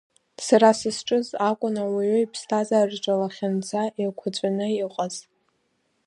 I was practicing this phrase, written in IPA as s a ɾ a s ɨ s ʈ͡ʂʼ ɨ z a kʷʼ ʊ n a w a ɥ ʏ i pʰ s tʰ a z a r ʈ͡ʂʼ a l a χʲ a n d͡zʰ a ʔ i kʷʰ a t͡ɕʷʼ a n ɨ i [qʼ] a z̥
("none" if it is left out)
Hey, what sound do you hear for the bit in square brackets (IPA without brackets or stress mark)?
qʼ